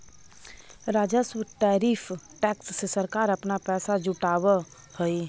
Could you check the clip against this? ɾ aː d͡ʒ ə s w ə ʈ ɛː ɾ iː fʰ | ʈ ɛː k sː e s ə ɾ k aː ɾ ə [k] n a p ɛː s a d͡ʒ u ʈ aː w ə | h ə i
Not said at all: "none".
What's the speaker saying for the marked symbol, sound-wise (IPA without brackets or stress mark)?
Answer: p